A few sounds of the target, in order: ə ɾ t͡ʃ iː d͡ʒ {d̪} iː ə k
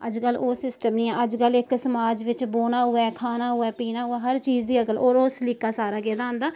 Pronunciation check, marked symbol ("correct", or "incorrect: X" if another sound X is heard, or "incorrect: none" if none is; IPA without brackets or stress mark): correct